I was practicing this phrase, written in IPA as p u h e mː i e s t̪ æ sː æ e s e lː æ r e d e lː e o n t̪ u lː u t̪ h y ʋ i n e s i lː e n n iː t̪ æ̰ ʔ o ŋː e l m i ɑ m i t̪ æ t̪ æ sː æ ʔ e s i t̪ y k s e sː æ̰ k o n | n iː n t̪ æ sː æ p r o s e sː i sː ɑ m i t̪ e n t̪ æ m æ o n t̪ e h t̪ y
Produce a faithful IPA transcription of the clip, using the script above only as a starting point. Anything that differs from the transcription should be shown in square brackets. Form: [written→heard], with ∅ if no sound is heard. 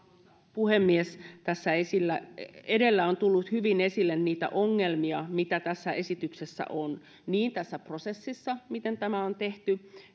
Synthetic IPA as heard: p u h e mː i e s t̪ æ sː æ e s [e→i] lː æ [r→∅] e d e lː [e→æ] o n t̪ u lː u t̪ h y ʋ i n e s i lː e n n iː t̪ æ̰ ʔ o ŋː e l m i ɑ m i t̪ æ t̪ æ sː æ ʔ e s i t̪ y k s e sː æ̰ [k→ʔ] o n | n iː n t̪ æ sː æ p r o s e sː i sː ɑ m i t̪ e n t̪ æ m æ o n t̪ e h t̪ y